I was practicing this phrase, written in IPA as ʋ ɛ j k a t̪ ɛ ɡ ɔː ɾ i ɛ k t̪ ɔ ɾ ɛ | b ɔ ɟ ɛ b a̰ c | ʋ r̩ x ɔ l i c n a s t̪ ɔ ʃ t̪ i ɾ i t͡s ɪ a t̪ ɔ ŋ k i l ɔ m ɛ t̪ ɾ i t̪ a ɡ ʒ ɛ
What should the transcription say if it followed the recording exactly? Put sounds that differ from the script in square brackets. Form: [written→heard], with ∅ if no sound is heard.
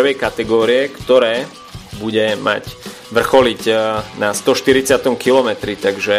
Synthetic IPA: ʋ ɛ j k a t̪ ɛ ɡ ɔː ɾ i ɛ k t̪ ɔ ɾ [ɛ→ɛː] | b [ɔ→u] ɟ ɛ [b→m] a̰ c | ʋ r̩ x ɔ l i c n a s t̪ ɔ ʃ t̪ i ɾ i t͡s ɪ a t̪ ɔ [ŋ→m] k i l ɔ m ɛ t̪ ɾ i t̪ a ɡ ʒ ɛ